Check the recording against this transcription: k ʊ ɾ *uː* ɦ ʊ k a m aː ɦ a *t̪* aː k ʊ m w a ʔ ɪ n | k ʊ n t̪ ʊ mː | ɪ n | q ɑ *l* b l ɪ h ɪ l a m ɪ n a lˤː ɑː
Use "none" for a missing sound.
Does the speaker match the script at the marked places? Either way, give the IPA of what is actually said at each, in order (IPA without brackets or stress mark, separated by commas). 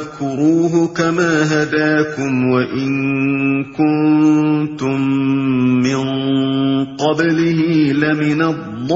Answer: uː, d̪, none